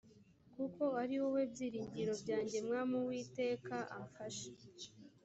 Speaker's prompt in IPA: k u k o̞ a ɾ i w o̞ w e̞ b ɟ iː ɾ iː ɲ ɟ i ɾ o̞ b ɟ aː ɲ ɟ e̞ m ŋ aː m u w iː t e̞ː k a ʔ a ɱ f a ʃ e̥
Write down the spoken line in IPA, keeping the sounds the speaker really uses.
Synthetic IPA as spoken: k u k o̞ a ɾ i w o̞ w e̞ b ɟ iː ɾ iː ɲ ɟ i ɾ o̞ b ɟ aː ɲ ɟ e̞ m ŋ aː m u w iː t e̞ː k a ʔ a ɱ f a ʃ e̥